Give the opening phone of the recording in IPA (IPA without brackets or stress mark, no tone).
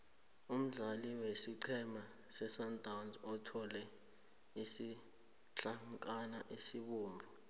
u